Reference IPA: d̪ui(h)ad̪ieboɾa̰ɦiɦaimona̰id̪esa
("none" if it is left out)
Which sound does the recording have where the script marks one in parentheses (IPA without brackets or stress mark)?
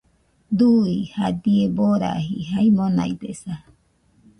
h